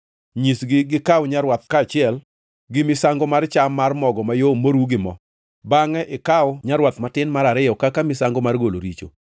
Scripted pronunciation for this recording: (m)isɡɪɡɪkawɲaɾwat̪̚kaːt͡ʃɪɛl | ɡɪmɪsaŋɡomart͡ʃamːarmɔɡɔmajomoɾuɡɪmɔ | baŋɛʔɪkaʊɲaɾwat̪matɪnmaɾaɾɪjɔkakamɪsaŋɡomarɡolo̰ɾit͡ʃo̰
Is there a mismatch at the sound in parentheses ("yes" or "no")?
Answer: yes